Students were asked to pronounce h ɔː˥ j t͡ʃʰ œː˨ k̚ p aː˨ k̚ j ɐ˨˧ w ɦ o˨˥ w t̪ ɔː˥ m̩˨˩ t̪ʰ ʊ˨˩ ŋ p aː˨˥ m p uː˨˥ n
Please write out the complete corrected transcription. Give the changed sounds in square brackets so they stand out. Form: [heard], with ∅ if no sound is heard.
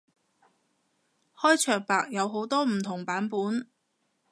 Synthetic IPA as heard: h ɔː˥ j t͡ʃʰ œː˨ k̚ p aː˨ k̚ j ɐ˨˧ w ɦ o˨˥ w t̪ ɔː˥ m̩˨˩ t̪ʰ ʊ˨˩ ŋ p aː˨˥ [n] p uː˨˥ n